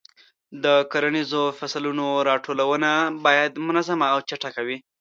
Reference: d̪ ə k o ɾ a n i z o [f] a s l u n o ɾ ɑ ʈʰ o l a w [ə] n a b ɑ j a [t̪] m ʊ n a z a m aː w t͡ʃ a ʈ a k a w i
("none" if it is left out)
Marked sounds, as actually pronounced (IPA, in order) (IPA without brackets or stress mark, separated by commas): f, ə, d̪